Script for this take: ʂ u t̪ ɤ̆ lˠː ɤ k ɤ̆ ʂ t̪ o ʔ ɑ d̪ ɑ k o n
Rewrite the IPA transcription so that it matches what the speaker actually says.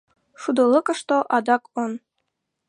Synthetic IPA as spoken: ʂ u d̪ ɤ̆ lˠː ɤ k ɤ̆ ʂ t̪ o ʔ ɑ d̪ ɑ k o n